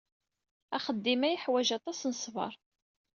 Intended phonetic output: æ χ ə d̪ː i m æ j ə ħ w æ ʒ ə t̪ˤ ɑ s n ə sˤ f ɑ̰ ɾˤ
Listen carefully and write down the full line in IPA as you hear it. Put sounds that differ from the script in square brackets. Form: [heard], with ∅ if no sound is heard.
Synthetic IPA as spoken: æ χ ə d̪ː i m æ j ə ħ w æ ʒ [ɑ] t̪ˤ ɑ s n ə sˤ [v] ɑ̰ ɾˤ